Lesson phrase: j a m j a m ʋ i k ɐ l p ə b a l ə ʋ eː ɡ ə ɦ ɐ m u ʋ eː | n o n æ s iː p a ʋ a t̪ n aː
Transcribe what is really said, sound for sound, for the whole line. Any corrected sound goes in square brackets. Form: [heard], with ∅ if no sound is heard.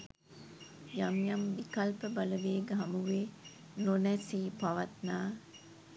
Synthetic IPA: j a m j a m ʋ i k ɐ l p ə b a l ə ʋ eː ɡ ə ɦ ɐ m u ʋ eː | n o n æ s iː p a ʋ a t̪ n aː